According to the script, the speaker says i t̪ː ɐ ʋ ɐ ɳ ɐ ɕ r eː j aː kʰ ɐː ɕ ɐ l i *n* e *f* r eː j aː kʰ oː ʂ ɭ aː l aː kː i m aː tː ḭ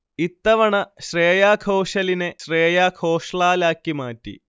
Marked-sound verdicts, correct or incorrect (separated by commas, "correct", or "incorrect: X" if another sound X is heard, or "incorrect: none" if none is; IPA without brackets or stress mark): correct, incorrect: ɕ